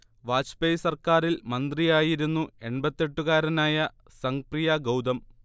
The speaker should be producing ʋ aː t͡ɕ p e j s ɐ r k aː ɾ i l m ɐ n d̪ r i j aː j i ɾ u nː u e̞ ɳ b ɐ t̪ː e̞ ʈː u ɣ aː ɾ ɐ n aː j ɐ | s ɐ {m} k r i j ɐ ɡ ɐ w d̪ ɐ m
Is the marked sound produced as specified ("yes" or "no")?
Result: no